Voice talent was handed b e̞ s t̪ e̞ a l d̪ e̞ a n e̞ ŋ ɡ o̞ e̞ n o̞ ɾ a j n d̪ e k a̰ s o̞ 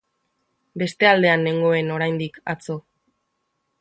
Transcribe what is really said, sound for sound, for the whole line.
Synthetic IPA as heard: b e̞ s t̪ e̞ a l d̪ e̞ a n e̞ ŋ ɡ o̞ e̞ n o̞ ɾ a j n d̪ i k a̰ t͡s o̞